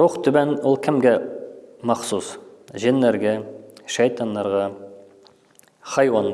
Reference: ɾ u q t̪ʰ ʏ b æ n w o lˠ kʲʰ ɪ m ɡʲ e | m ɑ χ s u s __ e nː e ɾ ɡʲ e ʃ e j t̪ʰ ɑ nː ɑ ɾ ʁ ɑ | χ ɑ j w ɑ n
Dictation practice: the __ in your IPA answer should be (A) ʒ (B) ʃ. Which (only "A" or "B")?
A